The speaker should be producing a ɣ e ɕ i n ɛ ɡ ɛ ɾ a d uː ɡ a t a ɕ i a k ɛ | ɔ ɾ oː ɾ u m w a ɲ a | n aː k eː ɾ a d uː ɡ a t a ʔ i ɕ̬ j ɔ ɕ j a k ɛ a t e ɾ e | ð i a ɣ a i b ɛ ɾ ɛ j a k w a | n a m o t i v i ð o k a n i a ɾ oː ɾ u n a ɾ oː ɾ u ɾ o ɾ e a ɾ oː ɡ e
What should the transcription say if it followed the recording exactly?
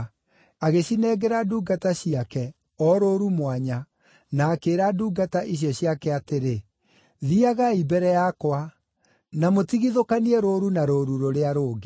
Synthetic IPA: a ɣ e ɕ i n ɛ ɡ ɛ ɾ a d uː ɡ a t a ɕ i a k ɛ | ɔ ɾ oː ɾ u m w a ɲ a | n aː k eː ɾ a d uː ɡ a t a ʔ i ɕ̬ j ɔ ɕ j a k ɛ a t e ɾ e | ð i a ɣ a i b ɛ ɾ ɛ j a k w a | n a m o t i ɣ i ð o k a n i ɛ ɾ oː ɾ u n a ɾ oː ɾ u ɾ o ɾ e a ɾ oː ɡ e